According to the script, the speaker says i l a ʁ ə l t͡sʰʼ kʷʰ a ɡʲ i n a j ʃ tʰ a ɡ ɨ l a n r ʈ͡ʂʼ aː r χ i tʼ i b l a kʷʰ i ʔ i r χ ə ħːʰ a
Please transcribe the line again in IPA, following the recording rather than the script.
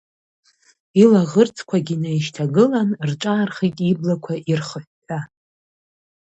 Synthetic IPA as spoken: i l a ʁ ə r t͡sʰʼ kʷʰ a ɡʲ i n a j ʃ tʰ a ɡ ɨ l a n r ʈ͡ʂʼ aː r χ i tʼ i b l a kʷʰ a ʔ i r χ ə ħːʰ a

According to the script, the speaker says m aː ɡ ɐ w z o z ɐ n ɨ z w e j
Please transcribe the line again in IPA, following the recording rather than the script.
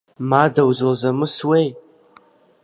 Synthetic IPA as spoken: m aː d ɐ w z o z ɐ m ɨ s w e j

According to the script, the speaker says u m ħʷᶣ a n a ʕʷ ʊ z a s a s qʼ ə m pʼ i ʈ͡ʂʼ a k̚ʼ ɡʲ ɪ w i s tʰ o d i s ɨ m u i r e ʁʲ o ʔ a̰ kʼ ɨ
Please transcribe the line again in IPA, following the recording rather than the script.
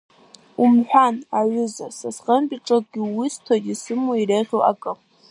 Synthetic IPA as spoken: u m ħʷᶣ a n a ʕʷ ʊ z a s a s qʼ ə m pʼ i ʈ͡ʂʼ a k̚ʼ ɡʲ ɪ w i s tʰ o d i s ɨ m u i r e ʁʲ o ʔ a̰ kʼ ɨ

